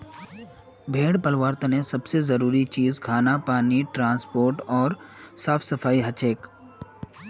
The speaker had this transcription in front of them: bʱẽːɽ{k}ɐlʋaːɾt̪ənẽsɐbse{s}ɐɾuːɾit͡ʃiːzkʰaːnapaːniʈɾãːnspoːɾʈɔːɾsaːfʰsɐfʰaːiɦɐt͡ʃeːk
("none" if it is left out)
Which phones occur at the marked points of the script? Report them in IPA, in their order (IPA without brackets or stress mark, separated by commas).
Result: p, z